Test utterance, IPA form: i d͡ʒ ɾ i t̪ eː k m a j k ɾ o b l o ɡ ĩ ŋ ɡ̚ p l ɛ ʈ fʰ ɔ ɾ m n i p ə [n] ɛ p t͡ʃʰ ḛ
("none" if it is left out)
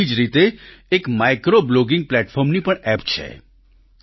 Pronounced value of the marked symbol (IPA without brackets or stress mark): ɳ